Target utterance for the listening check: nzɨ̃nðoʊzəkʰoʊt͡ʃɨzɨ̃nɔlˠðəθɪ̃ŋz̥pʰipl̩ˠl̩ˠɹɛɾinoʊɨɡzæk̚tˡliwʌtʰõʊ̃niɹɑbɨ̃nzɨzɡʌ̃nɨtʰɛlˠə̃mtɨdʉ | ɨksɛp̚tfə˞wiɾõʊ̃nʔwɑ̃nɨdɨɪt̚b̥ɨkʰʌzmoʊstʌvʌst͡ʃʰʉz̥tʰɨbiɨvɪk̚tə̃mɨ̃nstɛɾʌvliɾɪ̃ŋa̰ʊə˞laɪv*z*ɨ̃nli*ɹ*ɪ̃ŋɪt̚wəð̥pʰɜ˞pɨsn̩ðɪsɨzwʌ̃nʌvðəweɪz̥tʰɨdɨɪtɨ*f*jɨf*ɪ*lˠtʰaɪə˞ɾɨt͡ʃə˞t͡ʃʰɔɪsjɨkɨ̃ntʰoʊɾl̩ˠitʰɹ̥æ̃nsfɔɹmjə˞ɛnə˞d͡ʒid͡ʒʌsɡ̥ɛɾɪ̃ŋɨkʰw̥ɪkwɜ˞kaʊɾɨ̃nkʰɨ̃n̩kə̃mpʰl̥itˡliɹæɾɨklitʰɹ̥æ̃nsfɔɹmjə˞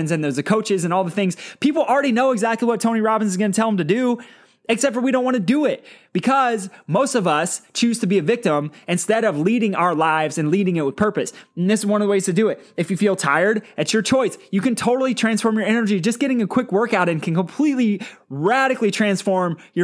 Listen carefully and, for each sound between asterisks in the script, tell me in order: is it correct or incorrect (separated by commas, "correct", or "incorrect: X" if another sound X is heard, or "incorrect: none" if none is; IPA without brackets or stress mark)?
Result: correct, incorrect: ɾ, correct, incorrect: i